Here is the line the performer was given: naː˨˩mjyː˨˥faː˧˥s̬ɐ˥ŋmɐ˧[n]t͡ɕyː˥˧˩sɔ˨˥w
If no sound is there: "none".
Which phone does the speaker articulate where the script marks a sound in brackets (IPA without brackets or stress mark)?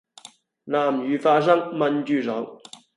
n